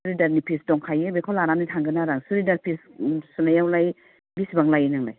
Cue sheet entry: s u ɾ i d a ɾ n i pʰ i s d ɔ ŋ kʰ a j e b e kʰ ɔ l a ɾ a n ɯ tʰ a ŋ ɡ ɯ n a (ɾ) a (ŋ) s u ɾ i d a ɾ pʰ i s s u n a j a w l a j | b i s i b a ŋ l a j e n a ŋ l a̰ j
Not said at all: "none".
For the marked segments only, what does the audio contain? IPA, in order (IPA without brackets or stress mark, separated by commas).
ɾ, ŋ